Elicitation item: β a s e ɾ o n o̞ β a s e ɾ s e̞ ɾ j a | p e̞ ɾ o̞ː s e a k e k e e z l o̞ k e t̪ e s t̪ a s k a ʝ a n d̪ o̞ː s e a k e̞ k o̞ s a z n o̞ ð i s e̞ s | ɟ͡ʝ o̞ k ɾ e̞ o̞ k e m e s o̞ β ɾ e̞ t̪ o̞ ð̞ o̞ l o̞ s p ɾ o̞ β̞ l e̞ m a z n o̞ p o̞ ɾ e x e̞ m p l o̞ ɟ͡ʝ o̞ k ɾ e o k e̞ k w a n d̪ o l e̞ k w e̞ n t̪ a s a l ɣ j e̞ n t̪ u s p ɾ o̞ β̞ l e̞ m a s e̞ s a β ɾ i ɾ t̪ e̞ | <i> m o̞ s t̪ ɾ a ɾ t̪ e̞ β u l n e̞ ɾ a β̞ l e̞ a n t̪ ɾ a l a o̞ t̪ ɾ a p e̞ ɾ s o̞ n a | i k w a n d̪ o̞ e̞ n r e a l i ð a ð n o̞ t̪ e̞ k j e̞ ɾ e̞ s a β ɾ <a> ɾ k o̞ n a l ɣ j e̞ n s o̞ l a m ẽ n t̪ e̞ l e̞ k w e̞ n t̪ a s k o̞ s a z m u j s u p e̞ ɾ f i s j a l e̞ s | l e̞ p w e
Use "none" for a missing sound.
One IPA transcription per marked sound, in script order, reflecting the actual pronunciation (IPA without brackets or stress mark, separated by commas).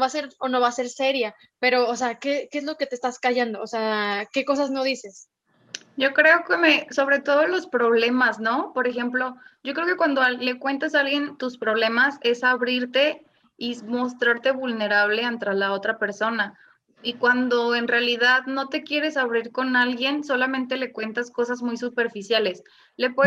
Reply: i, i